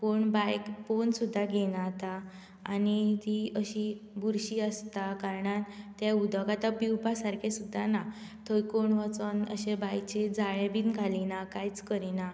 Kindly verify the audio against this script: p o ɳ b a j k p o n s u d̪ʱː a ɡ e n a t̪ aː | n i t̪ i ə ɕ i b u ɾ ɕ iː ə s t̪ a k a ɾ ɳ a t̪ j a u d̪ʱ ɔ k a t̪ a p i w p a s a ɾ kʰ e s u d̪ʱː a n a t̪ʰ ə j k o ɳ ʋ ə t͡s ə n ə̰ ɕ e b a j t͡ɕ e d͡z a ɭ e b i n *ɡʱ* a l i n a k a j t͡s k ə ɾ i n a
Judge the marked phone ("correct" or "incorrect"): correct